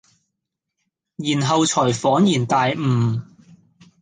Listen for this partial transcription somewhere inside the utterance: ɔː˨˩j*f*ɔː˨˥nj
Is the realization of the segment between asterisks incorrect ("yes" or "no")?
no